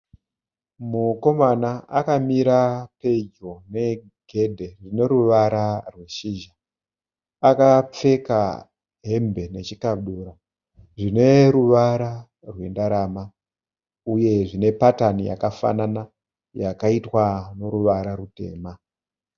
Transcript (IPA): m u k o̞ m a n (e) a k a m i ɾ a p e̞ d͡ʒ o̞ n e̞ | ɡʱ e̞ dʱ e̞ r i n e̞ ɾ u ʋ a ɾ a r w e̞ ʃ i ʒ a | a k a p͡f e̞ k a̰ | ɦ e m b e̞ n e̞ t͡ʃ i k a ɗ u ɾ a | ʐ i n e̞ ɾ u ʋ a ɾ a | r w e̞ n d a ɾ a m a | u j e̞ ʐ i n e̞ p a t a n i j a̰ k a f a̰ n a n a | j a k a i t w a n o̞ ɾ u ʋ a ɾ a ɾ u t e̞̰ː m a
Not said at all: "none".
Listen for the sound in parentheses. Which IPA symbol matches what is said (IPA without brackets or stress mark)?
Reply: a